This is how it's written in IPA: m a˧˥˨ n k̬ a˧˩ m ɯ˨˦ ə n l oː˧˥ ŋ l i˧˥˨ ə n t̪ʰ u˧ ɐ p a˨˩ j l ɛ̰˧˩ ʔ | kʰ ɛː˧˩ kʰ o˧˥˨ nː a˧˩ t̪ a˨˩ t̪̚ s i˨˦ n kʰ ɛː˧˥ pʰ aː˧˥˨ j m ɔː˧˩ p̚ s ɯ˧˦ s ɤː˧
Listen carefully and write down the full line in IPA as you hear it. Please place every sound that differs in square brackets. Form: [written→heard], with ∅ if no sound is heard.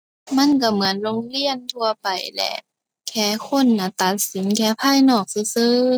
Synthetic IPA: m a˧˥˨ n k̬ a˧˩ m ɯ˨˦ ə n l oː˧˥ ŋ l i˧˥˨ ə n t̪ʰ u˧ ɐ p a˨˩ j l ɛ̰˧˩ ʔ | kʰ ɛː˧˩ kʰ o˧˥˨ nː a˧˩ t̪ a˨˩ t̪̚ s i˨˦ n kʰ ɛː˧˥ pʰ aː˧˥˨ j [m→n] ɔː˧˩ [p̚→k̚] s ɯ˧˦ s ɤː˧